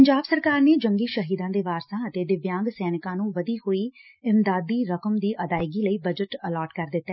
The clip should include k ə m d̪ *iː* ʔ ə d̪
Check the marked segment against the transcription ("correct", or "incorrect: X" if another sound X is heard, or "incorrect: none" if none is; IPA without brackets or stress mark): correct